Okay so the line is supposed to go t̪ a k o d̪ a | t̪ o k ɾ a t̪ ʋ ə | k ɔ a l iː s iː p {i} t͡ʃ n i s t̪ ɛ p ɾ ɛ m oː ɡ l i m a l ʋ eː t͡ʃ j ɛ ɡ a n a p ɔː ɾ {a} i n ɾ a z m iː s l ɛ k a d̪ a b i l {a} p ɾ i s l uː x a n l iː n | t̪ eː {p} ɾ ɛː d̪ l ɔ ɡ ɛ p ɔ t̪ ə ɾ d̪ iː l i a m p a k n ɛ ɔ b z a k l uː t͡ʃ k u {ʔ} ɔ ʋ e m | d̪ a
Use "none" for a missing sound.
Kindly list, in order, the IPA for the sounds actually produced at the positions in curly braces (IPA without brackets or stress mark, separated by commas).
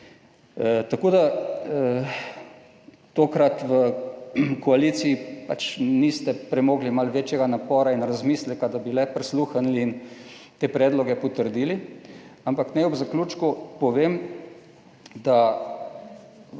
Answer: a, a, ɛ, p, p